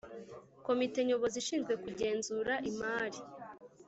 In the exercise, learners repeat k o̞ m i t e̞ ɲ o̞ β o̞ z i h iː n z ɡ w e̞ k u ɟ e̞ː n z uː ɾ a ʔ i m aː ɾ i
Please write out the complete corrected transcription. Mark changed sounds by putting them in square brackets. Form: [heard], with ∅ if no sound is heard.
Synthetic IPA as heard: k o̞ m i t e̞ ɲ o̞ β o̞ z i [ʃ] iː n z ɡ w e̞ k u ɟ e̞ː n z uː ɾ a ʔ i m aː ɾ i